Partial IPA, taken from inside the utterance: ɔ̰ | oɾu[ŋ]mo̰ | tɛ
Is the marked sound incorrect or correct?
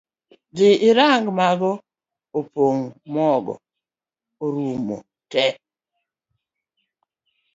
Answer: incorrect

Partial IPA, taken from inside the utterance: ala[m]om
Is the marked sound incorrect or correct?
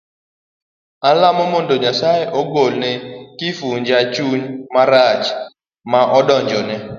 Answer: correct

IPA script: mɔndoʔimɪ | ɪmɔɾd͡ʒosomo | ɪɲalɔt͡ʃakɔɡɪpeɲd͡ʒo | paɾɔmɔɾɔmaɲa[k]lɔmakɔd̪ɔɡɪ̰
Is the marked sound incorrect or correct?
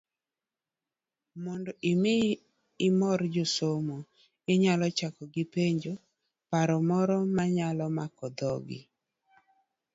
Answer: incorrect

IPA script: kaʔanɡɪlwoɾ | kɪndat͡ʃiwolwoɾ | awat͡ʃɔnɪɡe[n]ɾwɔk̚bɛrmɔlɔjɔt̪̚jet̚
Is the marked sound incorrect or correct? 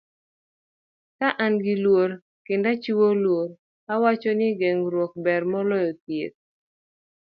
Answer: incorrect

